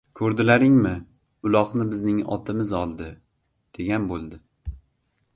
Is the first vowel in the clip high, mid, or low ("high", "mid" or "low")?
mid